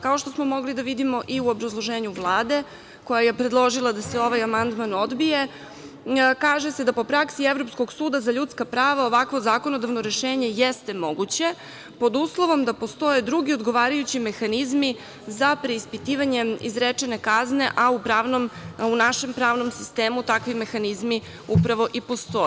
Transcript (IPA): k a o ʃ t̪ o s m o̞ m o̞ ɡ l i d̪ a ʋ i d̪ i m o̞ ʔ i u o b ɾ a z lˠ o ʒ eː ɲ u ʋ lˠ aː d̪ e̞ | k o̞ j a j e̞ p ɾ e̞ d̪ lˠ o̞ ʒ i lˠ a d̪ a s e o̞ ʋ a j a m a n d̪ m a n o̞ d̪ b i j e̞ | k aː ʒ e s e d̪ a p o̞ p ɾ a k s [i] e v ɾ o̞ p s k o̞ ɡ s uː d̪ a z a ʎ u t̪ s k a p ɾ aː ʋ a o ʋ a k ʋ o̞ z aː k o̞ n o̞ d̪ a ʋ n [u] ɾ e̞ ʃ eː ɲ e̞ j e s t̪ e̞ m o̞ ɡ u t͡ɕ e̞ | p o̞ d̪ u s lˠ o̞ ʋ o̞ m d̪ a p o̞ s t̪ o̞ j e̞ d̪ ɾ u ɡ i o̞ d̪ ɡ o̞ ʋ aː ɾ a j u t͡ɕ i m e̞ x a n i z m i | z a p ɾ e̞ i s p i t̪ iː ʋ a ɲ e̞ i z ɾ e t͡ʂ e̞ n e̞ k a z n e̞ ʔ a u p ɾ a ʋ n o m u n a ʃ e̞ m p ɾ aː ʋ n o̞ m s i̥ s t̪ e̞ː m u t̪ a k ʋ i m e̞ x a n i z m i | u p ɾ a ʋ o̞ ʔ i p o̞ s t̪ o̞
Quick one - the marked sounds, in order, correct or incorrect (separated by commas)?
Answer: correct, incorrect